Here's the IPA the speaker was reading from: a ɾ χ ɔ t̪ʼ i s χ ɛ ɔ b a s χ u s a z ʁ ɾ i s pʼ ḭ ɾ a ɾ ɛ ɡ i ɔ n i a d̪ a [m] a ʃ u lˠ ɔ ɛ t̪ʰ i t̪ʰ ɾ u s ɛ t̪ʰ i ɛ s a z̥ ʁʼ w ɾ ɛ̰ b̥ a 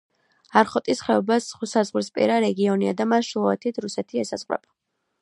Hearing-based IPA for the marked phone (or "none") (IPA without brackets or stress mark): m